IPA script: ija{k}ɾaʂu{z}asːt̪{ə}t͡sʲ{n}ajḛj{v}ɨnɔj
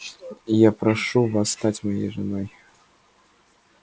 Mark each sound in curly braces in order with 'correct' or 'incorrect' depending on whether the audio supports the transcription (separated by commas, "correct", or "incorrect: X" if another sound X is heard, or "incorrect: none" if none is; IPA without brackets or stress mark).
incorrect: p, incorrect: v, incorrect: a, incorrect: m, incorrect: ʐ